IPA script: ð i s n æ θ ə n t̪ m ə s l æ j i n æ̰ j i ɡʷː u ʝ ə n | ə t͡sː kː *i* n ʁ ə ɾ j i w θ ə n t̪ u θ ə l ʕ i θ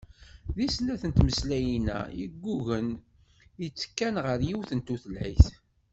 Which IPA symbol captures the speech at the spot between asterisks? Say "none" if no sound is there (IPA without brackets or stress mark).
æ